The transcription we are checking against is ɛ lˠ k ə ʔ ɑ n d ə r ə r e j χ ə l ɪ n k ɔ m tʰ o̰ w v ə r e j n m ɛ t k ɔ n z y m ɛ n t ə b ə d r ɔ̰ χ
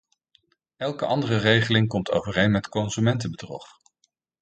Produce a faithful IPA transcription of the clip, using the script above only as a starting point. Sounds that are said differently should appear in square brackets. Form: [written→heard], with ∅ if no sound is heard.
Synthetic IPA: ɛ lˠ k ə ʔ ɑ n d ə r ə r e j χ ə l ɪ [n→ŋ] k ɔ m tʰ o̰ w v ə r e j n m ɛ t k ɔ n z y m ɛ n t ə b ə d r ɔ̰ χ